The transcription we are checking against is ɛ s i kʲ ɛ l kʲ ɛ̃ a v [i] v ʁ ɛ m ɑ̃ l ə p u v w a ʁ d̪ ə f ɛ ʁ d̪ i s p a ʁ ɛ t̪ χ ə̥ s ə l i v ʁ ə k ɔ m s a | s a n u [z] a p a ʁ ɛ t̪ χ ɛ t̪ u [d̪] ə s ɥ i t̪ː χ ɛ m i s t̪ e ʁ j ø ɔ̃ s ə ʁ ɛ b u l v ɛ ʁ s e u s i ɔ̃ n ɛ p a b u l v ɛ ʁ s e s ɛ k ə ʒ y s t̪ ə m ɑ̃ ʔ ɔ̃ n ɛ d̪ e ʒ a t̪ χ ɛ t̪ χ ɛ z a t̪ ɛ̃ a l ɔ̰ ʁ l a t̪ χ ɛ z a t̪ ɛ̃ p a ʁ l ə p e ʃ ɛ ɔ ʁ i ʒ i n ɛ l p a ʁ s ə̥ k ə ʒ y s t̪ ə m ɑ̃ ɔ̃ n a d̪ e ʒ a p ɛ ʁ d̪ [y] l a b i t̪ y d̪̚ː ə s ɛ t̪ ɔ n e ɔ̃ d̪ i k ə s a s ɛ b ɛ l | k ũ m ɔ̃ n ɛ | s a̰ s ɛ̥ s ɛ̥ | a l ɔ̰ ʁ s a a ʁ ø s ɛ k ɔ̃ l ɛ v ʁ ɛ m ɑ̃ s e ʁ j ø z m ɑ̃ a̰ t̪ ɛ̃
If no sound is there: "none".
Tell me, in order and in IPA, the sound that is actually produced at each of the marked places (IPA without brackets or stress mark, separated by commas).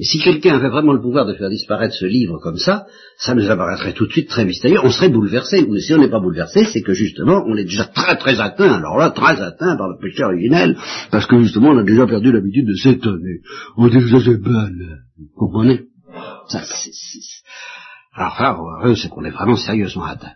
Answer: ɛ, z, t̪, y